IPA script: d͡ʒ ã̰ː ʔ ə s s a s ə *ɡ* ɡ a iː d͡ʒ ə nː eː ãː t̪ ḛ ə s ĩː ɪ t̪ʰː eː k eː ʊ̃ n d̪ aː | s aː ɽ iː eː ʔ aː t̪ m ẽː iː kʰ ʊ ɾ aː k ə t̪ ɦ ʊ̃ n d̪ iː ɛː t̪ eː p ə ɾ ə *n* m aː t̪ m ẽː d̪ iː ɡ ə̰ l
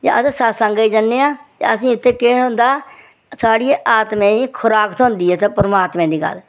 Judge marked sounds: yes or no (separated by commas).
no, no